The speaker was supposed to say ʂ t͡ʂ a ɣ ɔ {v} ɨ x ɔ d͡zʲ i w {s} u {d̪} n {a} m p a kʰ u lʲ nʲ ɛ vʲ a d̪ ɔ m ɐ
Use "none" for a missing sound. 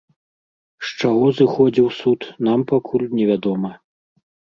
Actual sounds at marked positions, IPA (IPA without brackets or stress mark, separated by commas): z, s, t̪, a